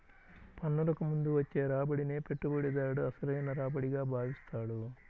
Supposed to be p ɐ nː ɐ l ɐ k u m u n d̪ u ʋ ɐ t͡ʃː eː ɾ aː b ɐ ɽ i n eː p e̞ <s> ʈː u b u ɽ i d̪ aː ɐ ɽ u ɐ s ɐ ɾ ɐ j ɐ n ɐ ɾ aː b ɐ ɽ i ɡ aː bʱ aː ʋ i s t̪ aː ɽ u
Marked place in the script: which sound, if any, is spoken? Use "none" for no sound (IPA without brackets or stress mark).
none